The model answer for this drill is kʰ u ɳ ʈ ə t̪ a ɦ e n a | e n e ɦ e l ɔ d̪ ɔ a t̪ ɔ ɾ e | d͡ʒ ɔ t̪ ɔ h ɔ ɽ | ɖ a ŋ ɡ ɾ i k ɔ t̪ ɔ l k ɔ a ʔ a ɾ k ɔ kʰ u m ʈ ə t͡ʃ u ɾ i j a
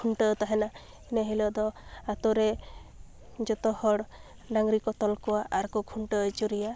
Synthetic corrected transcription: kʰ u ɳ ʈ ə t̪ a ɦ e n a | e n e ɦ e l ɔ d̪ ɔ a t̪ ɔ ɾ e | d͡ʒ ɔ t̪ ɔ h ɔ ɽ | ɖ a ŋ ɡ ɾ i k ɔ t̪ ɔ l k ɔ a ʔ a ɾ k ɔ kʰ u ɳ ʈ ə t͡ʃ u ɾ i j a